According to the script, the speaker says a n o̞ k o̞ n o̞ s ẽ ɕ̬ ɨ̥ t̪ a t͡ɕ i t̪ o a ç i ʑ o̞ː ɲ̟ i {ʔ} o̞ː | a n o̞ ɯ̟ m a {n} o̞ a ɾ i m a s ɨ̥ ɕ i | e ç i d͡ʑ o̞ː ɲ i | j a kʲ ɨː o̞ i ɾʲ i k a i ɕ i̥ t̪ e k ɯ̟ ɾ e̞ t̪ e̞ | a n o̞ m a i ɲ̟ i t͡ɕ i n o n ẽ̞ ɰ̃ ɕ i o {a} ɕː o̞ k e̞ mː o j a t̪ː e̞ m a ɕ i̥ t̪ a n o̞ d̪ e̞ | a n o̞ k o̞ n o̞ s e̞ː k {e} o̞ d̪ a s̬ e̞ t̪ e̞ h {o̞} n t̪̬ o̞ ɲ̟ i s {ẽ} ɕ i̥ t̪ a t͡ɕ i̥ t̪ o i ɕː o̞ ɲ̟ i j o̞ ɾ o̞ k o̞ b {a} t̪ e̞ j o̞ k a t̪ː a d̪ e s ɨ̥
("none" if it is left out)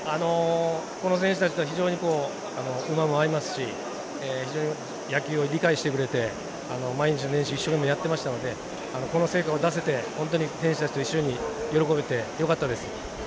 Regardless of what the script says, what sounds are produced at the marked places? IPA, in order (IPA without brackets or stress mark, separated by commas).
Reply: k, m, i, a, õ̞, ẽ, e